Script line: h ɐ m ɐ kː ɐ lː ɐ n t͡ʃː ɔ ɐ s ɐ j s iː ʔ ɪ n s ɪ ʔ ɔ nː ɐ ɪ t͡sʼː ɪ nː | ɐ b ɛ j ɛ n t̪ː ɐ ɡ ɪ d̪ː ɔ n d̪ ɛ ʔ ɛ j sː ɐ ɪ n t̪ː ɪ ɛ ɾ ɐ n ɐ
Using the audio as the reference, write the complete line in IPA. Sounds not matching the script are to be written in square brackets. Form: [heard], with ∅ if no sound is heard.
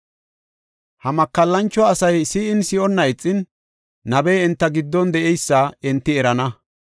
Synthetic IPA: h ɐ m ɐ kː ɐ lː ɐ n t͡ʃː ɔ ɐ s ɐ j s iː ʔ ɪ n s ɪ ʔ ɔ nː ɐ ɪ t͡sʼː ɪ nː | ɐ b ɛ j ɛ n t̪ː ɐ ɡ ɪ d̪ː ɔ n d̪ ɛ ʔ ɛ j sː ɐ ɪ n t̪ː ɪ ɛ ɾ ɐ n ɐ